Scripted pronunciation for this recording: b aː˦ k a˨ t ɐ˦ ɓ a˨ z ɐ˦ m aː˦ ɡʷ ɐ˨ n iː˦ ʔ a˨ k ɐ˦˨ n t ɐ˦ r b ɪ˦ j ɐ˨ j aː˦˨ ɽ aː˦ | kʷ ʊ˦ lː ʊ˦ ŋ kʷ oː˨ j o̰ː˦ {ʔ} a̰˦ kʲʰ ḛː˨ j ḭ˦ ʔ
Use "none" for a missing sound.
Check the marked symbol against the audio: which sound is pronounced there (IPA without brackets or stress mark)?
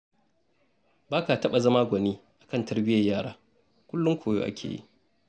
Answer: ʔ